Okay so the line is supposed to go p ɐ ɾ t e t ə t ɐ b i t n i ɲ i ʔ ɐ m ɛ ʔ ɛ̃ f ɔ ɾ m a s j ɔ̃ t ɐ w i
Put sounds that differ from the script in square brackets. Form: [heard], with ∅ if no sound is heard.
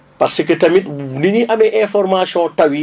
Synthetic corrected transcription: p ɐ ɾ [s] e [k] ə t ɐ [m] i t n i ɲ i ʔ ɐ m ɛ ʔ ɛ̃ f ɔ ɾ m a s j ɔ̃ t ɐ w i